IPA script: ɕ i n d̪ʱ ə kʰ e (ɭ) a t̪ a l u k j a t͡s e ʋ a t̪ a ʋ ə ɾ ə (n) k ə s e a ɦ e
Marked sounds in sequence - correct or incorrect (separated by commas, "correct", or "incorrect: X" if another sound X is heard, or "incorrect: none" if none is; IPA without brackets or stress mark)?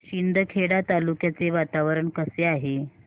incorrect: ɽ, incorrect: ɳ